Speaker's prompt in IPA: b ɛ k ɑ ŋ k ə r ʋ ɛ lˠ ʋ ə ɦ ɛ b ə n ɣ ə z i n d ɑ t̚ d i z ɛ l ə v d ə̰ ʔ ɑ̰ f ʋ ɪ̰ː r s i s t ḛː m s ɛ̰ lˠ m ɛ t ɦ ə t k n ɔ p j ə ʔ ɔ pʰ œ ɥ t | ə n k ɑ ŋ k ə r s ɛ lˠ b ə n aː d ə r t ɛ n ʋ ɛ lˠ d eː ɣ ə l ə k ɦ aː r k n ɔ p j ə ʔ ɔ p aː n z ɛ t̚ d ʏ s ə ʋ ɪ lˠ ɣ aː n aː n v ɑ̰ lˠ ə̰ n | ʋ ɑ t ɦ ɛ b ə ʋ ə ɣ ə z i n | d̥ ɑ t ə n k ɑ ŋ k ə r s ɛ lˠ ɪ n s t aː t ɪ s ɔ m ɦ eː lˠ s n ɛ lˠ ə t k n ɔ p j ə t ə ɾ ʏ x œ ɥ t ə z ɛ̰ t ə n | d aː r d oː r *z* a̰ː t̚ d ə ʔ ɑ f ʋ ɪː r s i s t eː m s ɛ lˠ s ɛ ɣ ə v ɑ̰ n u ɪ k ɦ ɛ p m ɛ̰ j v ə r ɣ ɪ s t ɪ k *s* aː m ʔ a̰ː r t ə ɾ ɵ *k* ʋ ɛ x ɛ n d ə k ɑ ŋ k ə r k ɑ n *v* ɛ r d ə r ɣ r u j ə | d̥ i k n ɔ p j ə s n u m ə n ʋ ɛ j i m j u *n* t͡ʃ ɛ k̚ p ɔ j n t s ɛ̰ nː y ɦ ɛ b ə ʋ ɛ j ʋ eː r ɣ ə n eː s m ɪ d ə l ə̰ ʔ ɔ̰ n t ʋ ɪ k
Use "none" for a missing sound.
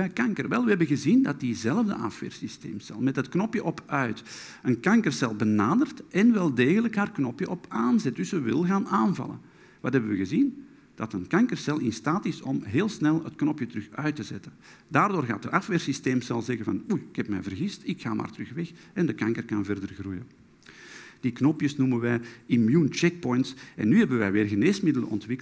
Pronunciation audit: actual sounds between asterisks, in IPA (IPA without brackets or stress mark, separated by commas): ɣ, x, x, v, n